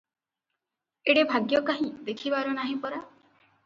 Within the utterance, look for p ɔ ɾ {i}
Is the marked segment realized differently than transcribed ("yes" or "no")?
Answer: yes